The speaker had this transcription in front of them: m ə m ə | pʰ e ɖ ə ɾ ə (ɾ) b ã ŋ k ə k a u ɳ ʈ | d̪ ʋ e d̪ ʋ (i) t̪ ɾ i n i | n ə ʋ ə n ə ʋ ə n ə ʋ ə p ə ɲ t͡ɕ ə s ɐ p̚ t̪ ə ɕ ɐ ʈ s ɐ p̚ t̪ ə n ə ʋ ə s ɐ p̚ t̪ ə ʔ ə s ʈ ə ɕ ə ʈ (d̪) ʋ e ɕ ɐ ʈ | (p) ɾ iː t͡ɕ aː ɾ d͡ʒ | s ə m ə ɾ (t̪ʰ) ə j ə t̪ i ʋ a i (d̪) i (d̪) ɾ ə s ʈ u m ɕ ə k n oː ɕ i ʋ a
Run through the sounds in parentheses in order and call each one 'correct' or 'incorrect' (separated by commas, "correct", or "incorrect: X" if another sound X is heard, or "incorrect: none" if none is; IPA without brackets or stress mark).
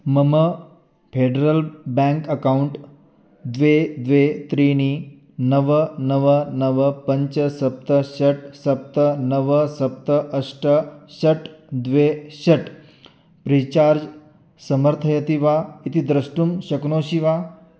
incorrect: l, incorrect: e, correct, correct, correct, incorrect: t̪, correct